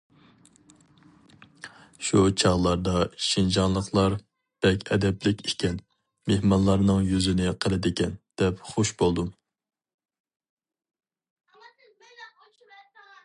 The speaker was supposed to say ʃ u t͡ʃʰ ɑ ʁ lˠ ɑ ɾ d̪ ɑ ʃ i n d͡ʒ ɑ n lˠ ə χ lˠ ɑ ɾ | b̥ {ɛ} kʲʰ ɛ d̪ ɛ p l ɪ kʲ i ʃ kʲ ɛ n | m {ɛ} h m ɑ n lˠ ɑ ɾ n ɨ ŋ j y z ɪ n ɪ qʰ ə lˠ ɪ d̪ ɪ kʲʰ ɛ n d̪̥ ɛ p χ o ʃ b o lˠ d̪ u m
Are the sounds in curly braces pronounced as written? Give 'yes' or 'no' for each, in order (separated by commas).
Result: yes, no